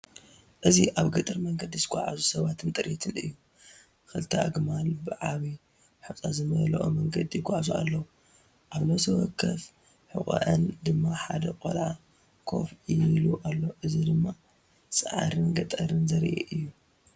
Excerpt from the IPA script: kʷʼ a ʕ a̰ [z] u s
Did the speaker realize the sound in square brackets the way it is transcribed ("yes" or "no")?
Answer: yes